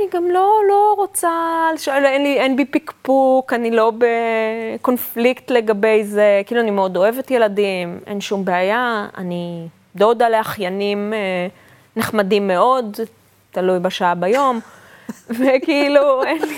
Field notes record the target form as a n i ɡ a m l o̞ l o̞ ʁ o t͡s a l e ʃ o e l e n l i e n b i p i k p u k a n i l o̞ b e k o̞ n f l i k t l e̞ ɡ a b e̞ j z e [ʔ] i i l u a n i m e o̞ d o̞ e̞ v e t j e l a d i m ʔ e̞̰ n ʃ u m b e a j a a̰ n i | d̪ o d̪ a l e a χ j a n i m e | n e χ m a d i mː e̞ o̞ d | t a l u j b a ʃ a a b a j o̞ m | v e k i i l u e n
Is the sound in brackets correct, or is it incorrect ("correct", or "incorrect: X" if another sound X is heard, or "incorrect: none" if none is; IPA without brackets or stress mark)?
incorrect: k